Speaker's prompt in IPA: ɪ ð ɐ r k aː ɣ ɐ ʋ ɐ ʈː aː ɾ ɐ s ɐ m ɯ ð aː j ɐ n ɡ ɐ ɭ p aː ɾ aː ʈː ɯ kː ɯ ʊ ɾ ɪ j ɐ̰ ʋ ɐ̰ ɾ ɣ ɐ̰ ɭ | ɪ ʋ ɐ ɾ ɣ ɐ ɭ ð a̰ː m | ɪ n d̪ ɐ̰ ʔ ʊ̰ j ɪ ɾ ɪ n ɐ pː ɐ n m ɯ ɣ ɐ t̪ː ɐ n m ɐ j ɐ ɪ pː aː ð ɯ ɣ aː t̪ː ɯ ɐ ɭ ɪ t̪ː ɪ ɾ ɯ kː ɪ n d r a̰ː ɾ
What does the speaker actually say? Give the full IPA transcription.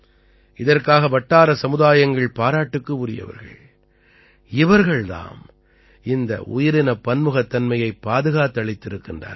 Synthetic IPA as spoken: ɪ ð ɐ r k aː ɣ ɐ ʋ ɐ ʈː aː ɾ ɐ s ɐ m ɯ ð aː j ɐ ŋ ɡ ɐ ɭ p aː ɾ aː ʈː ɯ kː ɯ ʊ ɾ ɪ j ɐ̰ ʋ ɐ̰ ɾ ɣ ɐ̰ ɭ | ɪ ʋ ɐ ɾ ɣ ɐ ɭ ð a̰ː m | ɪ n d̪ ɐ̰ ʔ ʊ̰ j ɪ ɾ ɪ n ɐ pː ɐ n m ɯ ɣ ɐ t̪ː ɐ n m ɐ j ɐ ɪ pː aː ð ɯ ɣ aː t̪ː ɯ ɐ ɭ ɪ t̪ː ɪ ɾ ɯ kː ɪ n d r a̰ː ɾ